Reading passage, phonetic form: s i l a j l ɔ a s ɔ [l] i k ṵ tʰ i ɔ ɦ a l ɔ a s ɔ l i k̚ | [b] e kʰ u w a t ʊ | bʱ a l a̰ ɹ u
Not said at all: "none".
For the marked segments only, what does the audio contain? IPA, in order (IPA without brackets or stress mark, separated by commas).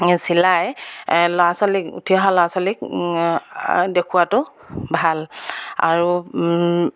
l, d